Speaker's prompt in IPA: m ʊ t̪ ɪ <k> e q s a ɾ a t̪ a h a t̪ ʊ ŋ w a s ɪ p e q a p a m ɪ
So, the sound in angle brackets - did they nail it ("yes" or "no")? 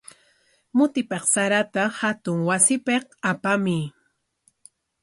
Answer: no